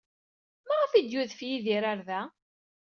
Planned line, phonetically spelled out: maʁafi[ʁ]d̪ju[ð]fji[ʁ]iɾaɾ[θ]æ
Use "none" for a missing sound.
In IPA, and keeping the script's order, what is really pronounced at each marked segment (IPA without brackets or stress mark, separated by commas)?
none, ð, ð, ð